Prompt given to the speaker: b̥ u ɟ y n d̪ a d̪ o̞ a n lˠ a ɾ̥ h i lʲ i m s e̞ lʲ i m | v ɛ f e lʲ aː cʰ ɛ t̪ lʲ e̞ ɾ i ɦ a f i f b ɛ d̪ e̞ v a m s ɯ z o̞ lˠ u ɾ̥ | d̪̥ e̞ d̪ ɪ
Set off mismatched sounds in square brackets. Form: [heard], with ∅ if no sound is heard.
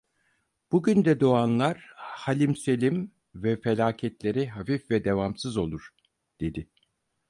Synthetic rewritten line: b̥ u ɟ y n d̪ [ɛ] d̪ o̞ a n lˠ a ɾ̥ h [a] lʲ i m s e̞ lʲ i m | v ɛ f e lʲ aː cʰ ɛ t̪ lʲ e̞ ɾ i ɦ a f i f [v] ɛ d̪ e̞ v a m s ɯ z o̞ lˠ u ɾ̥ | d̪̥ e̞ d̪ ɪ

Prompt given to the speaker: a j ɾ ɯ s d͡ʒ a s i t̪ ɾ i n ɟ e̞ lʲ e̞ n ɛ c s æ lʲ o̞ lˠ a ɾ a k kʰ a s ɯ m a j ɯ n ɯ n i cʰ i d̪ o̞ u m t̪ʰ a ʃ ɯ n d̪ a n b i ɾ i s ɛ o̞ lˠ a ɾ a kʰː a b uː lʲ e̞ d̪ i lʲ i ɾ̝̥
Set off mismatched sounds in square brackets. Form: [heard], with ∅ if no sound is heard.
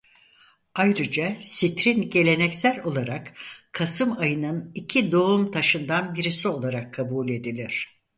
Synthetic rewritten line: a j ɾ ɯ [∅] d͡ʒ a s i t̪ ɾ i n ɟ e̞ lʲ e̞ n ɛ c s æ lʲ o̞ lˠ a ɾ a k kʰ a s ɯ m a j ɯ n ɯ n i cʰ i d̪ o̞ u m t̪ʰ a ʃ ɯ n d̪ a n b i ɾ i s [i] o̞ lˠ a ɾ a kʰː a b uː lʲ e̞ d̪ i lʲ i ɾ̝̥

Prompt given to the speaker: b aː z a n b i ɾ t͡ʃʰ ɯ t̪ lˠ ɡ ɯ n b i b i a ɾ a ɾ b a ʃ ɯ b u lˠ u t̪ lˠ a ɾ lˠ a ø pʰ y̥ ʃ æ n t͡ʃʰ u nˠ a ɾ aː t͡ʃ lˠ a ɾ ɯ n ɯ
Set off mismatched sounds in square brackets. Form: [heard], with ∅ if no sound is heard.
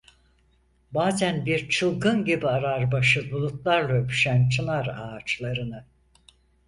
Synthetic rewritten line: b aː z [æ] n b i ɾ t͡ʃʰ ɯ [∅] lˠ ɡ ɯ n [ɟ] i b i a ɾ a ɾ b a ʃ ɯ b u lˠ u t̪ lˠ a ɾ lˠ a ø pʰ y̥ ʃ æ n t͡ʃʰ [ɯ] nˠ a ɾ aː t͡ʃ lˠ a ɾ ɯ n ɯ

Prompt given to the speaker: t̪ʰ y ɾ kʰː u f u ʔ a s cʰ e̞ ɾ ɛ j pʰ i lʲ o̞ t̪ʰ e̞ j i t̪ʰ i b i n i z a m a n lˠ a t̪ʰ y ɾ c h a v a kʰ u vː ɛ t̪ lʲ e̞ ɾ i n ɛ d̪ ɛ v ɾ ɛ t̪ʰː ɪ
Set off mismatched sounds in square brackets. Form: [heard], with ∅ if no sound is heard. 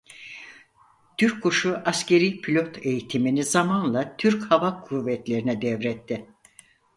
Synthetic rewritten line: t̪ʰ y ɾ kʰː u [ʃ] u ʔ a s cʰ e̞ ɾ [i] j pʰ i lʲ o̞ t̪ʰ e̞ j i t̪ʰ i [m] i n i z a m a n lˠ a t̪ʰ y ɾ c h a v a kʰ u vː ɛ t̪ lʲ e̞ ɾ i n ɛ d̪ ɛ v ɾ ɛ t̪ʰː ɪ

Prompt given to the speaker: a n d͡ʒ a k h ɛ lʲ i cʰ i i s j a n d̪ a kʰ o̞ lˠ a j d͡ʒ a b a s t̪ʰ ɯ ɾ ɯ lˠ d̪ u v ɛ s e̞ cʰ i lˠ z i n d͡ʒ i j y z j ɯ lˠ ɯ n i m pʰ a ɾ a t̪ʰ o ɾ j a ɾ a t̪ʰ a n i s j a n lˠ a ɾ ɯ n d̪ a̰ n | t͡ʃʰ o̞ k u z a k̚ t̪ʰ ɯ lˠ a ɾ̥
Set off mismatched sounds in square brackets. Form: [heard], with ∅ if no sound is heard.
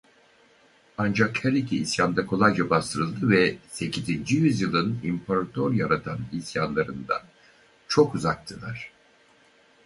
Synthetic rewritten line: a n d͡ʒ a k h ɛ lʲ i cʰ i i s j a n d̪ a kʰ o̞ lˠ a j d͡ʒ a b a s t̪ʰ ɯ ɾ ɯ lˠ d̪ [ɯ] v ɛ s e̞ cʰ i [∅] z i n d͡ʒ i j y z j ɯ lˠ ɯ n i m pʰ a ɾ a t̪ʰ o ɾ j a ɾ a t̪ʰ a n i s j a n lˠ a ɾ ɯ n d̪ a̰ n | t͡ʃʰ o̞ k u z a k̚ t̪ʰ ɯ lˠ a ɾ̥

